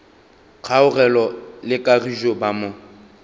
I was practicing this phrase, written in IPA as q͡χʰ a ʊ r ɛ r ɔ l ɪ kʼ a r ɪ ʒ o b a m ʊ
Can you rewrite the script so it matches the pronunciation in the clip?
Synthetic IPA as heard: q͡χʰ a ʊ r ɛ l ɔ l ɪ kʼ a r i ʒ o b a m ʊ